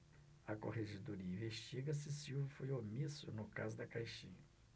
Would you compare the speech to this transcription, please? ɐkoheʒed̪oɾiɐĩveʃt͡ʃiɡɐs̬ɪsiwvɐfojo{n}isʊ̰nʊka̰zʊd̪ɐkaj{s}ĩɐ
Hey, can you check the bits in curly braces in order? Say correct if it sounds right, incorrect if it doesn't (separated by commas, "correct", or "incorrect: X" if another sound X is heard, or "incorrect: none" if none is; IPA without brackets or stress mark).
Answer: incorrect: m, incorrect: ʃ